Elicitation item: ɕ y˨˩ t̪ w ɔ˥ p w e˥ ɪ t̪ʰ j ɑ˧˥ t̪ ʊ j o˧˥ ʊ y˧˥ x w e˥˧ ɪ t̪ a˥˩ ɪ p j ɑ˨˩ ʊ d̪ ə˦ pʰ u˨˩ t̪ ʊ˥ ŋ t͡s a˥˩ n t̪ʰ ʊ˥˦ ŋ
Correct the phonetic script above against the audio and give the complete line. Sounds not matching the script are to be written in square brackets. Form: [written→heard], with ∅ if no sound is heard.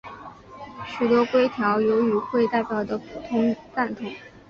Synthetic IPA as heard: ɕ y˨˩ t̪ w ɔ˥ [p→k] w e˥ ɪ t̪ʰ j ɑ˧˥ [t̪→∅] ʊ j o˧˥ ʊ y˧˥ x w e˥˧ ɪ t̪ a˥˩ ɪ p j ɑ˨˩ ʊ d̪ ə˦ pʰ u˨˩ [t̪→t̪ʰ] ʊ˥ ŋ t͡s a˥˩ n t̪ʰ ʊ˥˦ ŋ